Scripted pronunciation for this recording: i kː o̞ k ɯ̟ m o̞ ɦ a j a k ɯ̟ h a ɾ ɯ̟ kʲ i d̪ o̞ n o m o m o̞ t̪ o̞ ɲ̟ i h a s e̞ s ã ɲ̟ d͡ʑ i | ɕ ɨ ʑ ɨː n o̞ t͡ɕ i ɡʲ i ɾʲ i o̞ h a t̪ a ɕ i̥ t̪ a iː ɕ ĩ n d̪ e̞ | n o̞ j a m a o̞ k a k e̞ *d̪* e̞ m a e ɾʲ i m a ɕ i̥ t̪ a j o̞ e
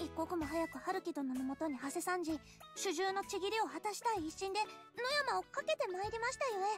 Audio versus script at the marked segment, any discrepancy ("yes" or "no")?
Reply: yes